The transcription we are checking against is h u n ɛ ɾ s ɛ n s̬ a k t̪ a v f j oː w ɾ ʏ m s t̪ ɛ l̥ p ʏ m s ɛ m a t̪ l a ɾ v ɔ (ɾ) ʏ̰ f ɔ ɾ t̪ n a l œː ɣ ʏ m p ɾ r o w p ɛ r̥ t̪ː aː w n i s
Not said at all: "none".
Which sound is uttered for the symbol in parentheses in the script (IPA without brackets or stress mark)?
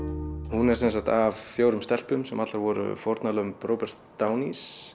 ɾ